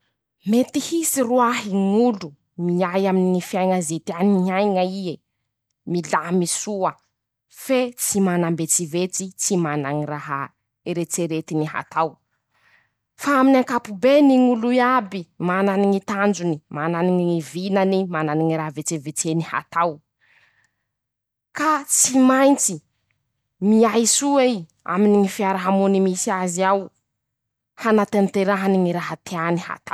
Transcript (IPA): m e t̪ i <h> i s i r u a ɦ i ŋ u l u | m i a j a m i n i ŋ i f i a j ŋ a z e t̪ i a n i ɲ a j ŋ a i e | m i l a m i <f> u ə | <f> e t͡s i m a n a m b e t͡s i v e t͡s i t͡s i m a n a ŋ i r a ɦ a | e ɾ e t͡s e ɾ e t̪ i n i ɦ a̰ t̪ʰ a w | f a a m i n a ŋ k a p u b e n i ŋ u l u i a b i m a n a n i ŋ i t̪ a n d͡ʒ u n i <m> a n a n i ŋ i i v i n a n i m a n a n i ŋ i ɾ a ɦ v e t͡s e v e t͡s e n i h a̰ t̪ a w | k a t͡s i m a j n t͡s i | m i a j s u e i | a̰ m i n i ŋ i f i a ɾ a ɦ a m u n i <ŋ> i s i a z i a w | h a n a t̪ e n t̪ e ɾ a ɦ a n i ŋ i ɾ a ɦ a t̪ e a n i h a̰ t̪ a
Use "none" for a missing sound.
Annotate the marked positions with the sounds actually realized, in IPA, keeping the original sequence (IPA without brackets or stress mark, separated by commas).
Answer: h, s, f, m, m